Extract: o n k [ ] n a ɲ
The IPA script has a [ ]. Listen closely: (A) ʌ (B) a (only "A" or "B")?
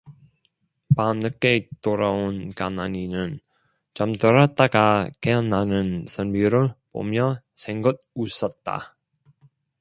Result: B